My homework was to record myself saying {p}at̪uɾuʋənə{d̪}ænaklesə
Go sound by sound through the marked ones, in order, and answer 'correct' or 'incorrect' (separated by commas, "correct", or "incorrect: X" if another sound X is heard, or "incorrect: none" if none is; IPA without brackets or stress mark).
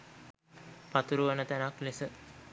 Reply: correct, incorrect: t̪